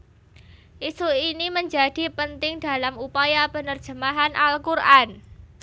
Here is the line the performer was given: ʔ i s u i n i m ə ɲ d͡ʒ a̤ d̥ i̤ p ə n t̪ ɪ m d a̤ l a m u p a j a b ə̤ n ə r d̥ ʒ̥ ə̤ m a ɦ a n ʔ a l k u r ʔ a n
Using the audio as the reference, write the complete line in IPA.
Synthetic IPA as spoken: ʔ i s u i n i m ə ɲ d͡ʒ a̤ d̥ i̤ p ə n t̪ ɪ ŋ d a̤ l a m u p a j a b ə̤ n ə r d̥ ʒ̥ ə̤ m a ɦ a n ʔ a l k u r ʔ a n